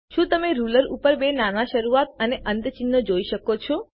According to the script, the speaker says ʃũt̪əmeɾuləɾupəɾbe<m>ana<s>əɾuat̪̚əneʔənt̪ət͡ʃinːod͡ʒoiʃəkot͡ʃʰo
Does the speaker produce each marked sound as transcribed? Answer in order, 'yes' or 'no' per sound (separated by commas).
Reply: no, no